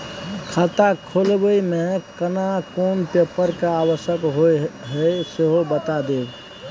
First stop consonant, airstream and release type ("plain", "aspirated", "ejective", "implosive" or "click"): aspirated